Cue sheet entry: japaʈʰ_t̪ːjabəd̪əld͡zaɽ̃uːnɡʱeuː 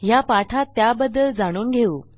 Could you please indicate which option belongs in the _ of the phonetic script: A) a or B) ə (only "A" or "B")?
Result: A